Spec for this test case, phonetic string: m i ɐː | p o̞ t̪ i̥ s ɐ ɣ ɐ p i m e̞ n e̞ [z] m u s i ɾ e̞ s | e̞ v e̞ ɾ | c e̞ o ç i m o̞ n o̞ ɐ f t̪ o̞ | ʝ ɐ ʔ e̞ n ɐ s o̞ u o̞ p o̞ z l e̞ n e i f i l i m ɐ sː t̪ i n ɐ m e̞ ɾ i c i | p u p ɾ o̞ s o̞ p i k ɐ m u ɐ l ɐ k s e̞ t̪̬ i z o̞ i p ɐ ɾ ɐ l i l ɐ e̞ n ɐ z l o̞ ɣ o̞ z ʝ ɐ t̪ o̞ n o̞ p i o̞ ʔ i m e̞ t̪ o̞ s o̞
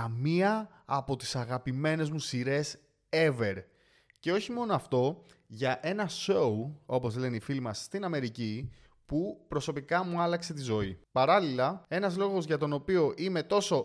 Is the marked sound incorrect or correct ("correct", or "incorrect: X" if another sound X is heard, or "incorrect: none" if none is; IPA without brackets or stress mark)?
correct